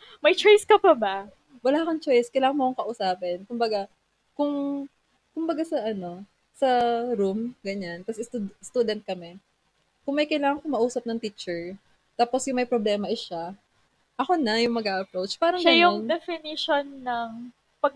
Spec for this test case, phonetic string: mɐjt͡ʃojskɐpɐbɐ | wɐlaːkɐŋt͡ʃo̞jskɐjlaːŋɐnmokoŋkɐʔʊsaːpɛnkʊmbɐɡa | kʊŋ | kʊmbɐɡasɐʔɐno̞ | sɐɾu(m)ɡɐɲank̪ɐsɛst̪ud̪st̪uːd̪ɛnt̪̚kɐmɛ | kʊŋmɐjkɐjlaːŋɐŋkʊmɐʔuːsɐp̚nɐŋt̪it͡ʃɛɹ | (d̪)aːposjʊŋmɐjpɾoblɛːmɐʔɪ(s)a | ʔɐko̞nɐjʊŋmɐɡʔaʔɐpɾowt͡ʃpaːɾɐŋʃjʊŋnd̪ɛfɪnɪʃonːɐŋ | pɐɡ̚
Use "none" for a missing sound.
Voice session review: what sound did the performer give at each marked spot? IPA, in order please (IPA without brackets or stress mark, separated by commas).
m, t̪, ʃ